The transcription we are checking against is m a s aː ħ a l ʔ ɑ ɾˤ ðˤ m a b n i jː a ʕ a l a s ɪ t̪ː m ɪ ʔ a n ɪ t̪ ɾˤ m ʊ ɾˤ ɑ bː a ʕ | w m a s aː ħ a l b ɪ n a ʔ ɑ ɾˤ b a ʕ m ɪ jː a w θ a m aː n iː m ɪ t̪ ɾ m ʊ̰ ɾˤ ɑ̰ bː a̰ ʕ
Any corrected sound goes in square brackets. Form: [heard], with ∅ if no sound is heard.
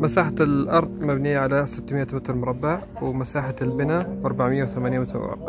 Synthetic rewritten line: m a s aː ħ a l ʔ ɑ ɾˤ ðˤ m a b n i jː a ʕ a l a s ɪ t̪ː m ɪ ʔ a [m] ɪ t̪ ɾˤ m ʊ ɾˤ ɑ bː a ʕ | w m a s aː ħ a l b ɪ n a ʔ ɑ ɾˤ b a ʕ m ɪ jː a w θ a m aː n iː m ɪ t̪ ɾ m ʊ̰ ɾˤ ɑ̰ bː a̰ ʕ